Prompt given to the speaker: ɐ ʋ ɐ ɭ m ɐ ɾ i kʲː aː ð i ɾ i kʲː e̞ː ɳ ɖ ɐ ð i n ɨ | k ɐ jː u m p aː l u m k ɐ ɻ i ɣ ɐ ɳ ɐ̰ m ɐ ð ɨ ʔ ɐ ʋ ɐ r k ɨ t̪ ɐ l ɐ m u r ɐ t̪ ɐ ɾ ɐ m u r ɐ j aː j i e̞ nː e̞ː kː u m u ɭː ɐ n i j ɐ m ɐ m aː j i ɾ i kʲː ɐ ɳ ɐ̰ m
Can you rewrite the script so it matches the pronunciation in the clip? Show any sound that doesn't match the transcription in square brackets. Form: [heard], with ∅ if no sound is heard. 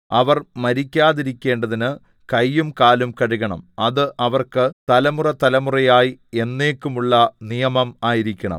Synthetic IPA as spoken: ɐ ʋ ɐ [r] m ɐ ɾ i kʲː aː ð i ɾ i kʲː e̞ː ɳ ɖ ɐ ð i n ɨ | k ɐ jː u m [k] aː l u m k ɐ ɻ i ɣ ɐ ɳ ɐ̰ m ɐ ð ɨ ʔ ɐ ʋ ɐ r k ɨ t̪ ɐ l ɐ m u r ɐ t̪ ɐ [l] ɐ m u r ɐ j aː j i e̞ nː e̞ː kː u m u ɭː ɐ n i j ɐ m ɐ m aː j i ɾ i kʲː ɐ ɳ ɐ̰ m